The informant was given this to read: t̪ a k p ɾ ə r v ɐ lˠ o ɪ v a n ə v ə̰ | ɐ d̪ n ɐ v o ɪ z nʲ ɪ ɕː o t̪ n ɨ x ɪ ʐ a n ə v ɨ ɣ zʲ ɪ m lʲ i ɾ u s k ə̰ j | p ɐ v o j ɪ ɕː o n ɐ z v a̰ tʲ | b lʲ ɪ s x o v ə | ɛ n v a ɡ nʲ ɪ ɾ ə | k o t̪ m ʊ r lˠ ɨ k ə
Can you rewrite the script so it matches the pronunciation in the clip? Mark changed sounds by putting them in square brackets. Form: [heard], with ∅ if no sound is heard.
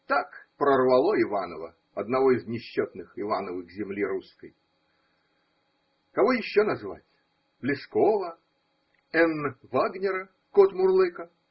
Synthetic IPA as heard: t̪ a k p ɾ ə r v ɐ lˠ o ɪ v a n ə v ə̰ | ɐ d̪ n ɐ v o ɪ z nʲ ɪ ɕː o t̪ n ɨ x ɪ [v] a n ə v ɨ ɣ zʲ ɪ m lʲ i ɾ u s k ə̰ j | [k] ɐ v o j ɪ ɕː o n ɐ z v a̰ tʲ | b lʲ ɪ s [k] o v ə | ɛ n v a ɡ nʲ ɪ ɾ ə | k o t̪ m ʊ r lˠ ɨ k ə

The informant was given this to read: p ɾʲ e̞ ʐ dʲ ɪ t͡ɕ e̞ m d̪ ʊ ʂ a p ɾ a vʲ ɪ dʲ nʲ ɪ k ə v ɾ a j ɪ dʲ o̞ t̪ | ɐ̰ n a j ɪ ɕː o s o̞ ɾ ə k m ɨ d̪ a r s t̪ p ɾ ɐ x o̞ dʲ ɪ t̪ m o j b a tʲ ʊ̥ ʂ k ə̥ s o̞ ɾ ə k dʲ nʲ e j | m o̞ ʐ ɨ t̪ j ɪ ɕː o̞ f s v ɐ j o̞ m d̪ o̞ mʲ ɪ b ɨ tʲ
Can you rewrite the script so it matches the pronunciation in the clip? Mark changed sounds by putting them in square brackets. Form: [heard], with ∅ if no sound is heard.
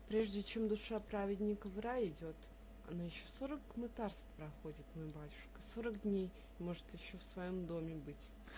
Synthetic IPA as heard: p ɾʲ e̞ ʐ dʲ ɪ t͡ɕ e̞ m d̪ ʊ ʂ a p ɾ a vʲ ɪ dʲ nʲ ɪ k ə v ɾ a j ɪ dʲ o̞ t̪ | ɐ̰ n a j ɪ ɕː o s o̞ ɾ ə k m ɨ [t̪] a r s t̪ p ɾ ɐ x o̞ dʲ ɪ t̪ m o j b a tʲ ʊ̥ ʂ k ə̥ s o̞ ɾ ə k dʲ nʲ e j | m o̞ ʐ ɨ t̪ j ɪ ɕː o̞ f s v ɐ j o̞ m d̪ o̞ mʲ ɪ b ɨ tʲ

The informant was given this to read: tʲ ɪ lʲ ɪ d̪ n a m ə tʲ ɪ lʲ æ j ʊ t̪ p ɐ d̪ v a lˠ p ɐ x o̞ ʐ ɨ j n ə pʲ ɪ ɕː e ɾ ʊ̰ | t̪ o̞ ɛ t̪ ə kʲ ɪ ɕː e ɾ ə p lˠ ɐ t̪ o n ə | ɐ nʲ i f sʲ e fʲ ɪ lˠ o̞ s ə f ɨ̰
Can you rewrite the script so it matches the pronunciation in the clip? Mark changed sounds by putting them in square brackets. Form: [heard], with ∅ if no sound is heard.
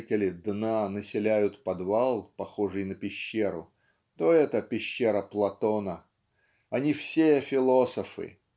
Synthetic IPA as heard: tʲ ɪ lʲ ɪ d̪ n a [n] ə [sʲ] ɪ lʲ æ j ʊ t̪ p ɐ d̪ v a lˠ p ɐ x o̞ ʐ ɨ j n ə pʲ ɪ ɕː e ɾ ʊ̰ | t̪ o̞ ɛ t̪ ə [pʲ] ɪ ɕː e ɾ ə p lˠ ɐ t̪ o n ə | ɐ nʲ i f sʲ e fʲ ɪ lˠ o̞ s ə f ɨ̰

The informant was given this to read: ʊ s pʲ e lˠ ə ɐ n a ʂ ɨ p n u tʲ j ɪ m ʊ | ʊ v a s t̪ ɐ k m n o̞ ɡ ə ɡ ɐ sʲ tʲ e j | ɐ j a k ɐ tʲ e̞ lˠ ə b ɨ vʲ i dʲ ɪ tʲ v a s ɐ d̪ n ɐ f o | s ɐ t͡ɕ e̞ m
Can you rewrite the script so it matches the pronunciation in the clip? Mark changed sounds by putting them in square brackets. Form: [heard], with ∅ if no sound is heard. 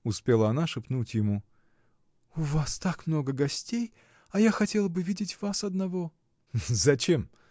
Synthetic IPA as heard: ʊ s pʲ e lˠ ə ɐ n a ʂ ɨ p n u tʲ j ɪ m [u] | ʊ v a s t̪ [a] k m n o̞ ɡ ə ɡ ɐ sʲ tʲ e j | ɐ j a [x] ɐ tʲ e̞ lˠ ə b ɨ vʲ i dʲ ɪ tʲ v a s ɐ d̪ n ɐ [v] o | [z] ɐ t͡ɕ e̞ m

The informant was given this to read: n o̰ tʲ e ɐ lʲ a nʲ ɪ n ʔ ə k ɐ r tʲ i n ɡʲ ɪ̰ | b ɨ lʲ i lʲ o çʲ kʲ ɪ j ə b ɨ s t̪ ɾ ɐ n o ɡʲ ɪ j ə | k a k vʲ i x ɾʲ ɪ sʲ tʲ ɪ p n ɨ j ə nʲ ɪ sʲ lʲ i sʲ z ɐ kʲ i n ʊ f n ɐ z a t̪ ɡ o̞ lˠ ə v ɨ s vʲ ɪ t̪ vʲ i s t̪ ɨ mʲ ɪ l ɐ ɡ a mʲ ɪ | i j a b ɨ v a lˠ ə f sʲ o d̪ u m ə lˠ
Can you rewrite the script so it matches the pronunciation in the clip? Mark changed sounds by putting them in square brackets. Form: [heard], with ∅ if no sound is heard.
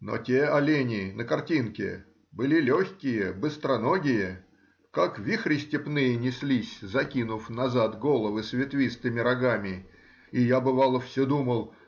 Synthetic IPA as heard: n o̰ tʲ e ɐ lʲ [e] nʲ ɪ n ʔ ə k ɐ r tʲ i n [kʲ] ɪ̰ | b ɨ lʲ i lʲ o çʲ kʲ ɪ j ə b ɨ s t̪ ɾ ɐ n o ɡʲ ɪ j ə | k a k vʲ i x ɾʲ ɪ sʲ tʲ ɪ p n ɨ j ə nʲ ɪ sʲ lʲ i sʲ z ɐ kʲ i n ʊ f n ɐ z a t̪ ɡ o̞ lˠ ə v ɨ s vʲ ɪ t̪ vʲ i s t̪ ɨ mʲ ɪ [ɾ] ɐ ɡ a mʲ ɪ | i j a b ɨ v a lˠ ə f sʲ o d̪ u m ə lˠ

